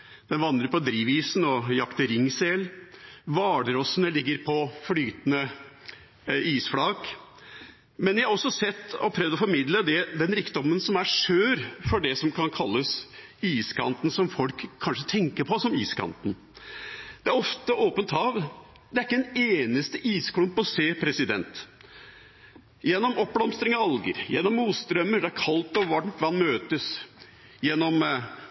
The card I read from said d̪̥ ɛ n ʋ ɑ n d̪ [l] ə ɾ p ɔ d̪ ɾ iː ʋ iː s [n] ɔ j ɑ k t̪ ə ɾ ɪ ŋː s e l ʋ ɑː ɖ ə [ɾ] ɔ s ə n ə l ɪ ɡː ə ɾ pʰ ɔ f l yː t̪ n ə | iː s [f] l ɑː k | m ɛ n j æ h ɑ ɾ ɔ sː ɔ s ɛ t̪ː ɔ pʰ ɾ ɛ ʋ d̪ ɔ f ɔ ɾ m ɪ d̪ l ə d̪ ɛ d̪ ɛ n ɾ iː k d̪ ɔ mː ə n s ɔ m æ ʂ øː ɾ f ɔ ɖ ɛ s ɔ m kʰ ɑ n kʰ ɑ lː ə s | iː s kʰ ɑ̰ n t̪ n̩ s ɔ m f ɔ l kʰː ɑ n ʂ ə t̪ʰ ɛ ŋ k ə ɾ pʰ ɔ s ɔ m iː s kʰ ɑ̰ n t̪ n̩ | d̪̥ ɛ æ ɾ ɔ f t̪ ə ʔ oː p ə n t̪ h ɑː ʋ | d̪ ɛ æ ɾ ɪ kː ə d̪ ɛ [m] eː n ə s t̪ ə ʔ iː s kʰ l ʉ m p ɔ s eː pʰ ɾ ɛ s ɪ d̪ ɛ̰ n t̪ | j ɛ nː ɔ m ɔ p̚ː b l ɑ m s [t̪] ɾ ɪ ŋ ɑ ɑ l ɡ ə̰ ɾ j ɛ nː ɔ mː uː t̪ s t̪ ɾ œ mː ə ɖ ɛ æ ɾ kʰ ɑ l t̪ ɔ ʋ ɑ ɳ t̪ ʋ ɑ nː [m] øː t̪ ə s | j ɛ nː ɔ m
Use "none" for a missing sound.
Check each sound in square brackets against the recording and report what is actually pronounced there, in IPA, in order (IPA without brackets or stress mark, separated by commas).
ɾ, n, ɾ, f, n, t̪, m